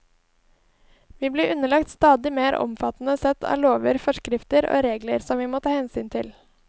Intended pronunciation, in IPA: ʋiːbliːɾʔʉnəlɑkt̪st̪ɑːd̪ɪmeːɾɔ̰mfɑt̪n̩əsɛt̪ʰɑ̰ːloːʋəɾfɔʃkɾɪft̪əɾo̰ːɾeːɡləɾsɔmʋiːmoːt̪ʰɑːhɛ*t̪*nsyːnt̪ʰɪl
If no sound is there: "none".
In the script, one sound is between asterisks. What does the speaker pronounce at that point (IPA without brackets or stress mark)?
none